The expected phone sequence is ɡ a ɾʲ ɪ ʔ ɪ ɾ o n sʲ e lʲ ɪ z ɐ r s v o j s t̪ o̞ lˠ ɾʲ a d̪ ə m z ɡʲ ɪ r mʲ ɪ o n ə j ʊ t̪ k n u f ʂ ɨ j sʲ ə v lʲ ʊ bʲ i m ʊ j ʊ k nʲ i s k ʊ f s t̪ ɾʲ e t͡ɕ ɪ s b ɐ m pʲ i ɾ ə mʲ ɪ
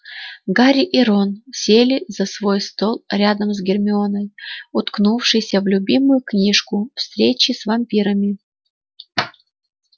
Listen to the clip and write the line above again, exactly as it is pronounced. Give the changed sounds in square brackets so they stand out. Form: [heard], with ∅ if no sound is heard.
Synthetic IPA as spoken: ɡ a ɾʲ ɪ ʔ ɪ ɾ o n sʲ e lʲ ɪ z ɐ [∅] s v o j s t̪ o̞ lˠ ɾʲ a d̪ ə m z ɡʲ ɪ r mʲ ɪ o n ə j ʊ t̪ k n u f ʂ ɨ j sʲ ə v lʲ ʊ bʲ i m ʊ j ʊ k nʲ i [ʂ] k ʊ f s t̪ ɾʲ e t͡ɕ ɪ s [v] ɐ m pʲ i ɾ ə mʲ ɪ